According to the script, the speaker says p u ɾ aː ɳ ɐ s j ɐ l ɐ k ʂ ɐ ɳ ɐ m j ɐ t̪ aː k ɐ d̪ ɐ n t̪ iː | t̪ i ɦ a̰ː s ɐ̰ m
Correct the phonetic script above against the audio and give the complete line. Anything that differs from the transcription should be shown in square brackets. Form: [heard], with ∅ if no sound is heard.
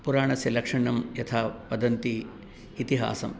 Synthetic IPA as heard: p u ɾ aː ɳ ɐ s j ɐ l ɐ k ʂ ɐ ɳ ɐ m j ɐ [t̪ʰ] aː [p] ɐ d̪ ɐ n t̪ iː | t̪ i ɦ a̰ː s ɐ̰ m